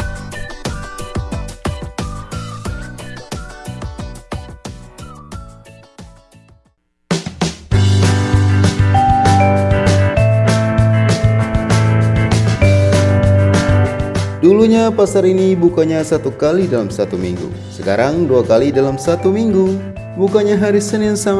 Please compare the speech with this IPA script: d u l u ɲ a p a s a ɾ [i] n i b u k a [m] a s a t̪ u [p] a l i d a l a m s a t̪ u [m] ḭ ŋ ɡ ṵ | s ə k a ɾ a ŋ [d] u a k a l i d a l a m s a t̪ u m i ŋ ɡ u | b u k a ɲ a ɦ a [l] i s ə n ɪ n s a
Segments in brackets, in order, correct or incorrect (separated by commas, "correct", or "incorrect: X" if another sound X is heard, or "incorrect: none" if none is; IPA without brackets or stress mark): correct, incorrect: ɲ, incorrect: k, correct, correct, incorrect: ɾ